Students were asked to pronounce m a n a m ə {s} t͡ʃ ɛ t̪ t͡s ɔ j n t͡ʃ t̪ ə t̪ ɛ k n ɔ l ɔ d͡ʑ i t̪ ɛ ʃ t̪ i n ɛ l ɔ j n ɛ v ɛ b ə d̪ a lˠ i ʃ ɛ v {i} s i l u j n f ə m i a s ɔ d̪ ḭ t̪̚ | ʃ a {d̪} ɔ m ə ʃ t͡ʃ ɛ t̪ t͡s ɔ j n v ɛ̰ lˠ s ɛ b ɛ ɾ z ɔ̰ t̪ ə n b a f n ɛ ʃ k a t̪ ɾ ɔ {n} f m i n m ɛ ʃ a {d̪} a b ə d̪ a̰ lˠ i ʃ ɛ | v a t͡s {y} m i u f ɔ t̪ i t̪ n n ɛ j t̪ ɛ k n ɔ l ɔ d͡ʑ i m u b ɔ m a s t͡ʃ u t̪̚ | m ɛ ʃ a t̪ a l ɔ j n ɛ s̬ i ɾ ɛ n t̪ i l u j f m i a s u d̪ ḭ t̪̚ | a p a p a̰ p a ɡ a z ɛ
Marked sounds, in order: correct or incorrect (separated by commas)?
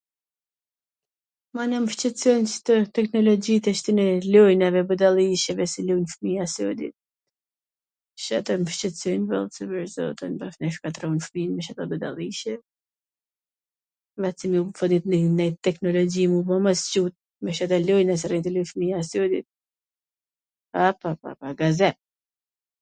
incorrect, incorrect, incorrect, correct, incorrect, incorrect